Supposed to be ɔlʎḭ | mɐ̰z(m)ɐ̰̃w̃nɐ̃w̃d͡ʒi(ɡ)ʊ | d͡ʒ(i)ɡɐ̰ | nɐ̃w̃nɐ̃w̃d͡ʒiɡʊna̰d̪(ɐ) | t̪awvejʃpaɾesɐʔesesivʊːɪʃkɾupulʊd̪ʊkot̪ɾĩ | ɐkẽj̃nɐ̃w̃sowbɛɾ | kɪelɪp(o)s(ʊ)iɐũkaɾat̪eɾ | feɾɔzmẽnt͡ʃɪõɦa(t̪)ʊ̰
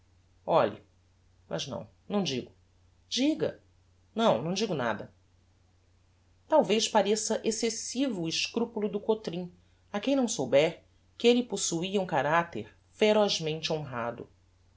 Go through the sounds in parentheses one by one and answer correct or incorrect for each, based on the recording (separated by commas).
incorrect, correct, correct, correct, correct, incorrect, incorrect